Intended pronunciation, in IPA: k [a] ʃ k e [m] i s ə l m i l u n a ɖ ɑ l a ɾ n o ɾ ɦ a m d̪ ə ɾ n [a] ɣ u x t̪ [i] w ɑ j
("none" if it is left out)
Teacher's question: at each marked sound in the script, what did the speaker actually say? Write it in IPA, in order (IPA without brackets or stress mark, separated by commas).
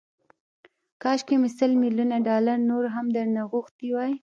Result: ɑ, m, a, i